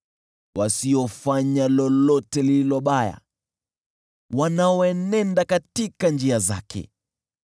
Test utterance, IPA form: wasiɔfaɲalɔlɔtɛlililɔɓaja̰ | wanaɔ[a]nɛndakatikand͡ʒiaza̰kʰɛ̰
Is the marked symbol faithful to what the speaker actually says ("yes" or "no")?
no